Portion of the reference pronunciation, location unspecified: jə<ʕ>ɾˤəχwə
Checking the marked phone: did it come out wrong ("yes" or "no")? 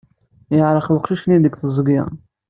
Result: no